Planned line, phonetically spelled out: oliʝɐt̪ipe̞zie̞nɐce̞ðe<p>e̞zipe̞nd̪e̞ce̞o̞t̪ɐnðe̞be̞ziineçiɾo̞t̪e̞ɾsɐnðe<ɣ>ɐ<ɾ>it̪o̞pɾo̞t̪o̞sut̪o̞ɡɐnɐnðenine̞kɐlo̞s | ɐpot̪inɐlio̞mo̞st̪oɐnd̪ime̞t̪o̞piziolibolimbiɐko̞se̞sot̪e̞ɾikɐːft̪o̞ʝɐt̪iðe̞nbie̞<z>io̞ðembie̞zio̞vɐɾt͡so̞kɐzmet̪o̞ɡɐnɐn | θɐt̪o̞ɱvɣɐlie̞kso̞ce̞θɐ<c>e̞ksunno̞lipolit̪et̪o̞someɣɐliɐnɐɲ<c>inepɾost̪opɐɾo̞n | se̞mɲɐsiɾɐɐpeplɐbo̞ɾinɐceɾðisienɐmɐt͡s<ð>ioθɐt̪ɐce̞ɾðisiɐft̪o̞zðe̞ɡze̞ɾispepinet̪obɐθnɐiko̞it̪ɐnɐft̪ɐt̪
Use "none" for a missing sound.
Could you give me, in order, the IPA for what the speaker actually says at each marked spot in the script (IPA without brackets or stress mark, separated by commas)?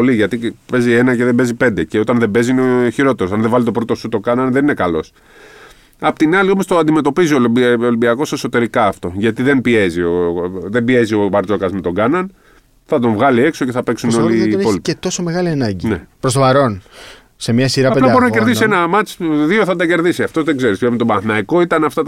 b, v, l, z, p, ɟ, ð